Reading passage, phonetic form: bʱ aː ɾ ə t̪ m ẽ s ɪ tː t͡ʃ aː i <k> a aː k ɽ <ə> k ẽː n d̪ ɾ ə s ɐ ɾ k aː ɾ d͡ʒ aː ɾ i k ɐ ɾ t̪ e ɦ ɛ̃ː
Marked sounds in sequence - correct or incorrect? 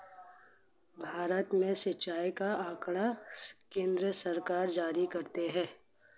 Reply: correct, incorrect: a

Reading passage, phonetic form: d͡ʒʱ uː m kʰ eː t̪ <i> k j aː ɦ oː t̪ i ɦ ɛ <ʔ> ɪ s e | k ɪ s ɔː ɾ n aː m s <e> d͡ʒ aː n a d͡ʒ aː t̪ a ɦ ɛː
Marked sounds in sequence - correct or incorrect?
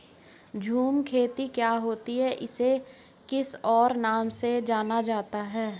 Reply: correct, correct, correct

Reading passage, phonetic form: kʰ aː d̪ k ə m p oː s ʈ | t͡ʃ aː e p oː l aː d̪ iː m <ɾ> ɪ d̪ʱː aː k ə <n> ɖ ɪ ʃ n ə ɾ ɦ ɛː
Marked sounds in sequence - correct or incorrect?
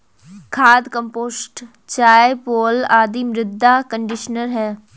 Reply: correct, incorrect: ɳ

